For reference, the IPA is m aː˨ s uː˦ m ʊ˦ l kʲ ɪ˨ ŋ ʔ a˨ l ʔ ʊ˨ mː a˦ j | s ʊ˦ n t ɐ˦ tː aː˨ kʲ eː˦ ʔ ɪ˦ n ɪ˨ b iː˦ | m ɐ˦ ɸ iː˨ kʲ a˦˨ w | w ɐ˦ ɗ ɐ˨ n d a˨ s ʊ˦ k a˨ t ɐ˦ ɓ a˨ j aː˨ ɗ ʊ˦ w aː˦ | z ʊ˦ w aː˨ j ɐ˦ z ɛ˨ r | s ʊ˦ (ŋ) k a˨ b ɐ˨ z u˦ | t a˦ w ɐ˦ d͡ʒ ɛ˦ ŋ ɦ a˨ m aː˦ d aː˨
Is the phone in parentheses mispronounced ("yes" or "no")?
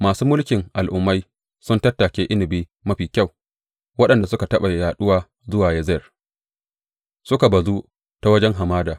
yes